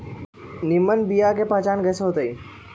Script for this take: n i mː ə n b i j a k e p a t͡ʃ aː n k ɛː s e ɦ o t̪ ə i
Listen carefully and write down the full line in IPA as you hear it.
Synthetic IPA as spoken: n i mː ə n b i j a k e p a t͡ʃ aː n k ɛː s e ɦ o t̪ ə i